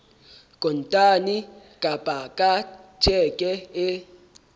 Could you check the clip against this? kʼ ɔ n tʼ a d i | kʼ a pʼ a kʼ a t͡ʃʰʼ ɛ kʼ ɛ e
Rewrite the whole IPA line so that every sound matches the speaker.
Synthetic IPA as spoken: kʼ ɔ n tʼ a n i | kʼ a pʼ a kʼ a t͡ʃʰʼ ɛ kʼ ɛ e